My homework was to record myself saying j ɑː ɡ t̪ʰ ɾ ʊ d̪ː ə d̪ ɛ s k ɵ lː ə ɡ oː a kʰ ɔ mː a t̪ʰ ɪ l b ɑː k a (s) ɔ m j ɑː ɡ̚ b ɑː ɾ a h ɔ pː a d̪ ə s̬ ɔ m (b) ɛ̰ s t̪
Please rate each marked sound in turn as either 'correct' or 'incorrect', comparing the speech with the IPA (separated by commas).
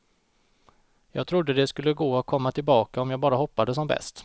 incorrect, correct